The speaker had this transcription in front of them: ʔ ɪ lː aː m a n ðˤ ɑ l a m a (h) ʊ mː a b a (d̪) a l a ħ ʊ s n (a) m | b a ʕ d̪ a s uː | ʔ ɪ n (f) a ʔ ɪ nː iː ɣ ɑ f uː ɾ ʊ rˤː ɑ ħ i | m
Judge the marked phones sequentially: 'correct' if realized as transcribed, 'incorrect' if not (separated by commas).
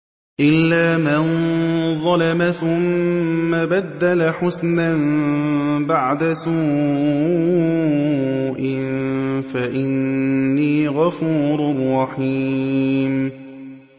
incorrect, incorrect, correct, correct